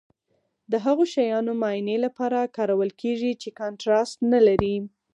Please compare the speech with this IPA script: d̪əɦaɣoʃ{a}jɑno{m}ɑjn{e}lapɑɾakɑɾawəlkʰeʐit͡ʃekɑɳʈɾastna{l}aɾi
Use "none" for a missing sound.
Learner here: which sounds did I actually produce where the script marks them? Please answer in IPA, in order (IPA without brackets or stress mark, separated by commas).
a, m, e, l